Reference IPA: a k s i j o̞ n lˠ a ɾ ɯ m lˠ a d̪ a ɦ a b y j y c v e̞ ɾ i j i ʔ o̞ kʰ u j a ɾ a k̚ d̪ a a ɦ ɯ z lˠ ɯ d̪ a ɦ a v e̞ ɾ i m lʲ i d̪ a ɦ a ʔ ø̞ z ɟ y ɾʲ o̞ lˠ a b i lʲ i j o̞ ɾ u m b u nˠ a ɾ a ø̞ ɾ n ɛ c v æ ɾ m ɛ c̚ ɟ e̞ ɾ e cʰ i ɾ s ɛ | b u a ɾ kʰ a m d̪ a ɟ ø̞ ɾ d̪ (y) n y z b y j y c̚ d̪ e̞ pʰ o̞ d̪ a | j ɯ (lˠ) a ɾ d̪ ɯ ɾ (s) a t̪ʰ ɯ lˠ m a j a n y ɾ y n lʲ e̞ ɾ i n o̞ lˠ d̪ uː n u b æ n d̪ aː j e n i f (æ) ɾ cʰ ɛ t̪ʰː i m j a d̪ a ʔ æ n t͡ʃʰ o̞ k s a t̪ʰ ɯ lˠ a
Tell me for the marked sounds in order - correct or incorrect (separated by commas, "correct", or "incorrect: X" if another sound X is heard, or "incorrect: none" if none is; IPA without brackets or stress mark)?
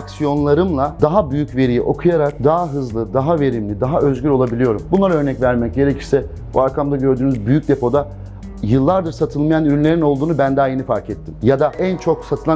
incorrect: yː, incorrect: lˠː, correct, incorrect: a